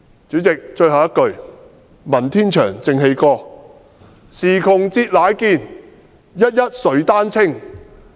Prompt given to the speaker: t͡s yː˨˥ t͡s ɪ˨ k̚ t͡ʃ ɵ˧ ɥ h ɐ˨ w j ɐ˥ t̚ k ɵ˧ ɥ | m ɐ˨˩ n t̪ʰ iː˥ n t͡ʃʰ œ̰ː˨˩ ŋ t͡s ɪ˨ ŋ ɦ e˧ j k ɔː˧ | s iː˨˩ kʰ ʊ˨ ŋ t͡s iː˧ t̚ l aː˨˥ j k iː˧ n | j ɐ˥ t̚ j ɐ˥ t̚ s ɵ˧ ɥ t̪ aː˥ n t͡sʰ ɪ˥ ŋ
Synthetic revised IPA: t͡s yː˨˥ t͡s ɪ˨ k̚ t͡ʃ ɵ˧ ɥ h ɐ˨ w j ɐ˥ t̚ k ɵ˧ ɥ | m ɐ˨˩ n t̪ʰ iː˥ n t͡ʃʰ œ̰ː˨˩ ŋ t͡s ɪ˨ ŋ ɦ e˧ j k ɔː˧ | s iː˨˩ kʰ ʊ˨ ŋ t͡s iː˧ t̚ l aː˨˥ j k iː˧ n | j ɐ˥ t̚ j ɐ˥ t̚ s ɵ˨˥ ɥ t̪ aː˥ n t͡sʰ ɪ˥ ŋ